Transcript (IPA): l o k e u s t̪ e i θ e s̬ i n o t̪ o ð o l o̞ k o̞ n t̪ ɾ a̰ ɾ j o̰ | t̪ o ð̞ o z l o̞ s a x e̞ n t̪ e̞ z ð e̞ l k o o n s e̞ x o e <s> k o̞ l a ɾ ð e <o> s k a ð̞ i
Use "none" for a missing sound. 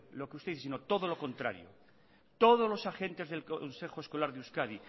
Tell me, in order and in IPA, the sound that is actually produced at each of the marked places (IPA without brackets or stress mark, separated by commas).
s, u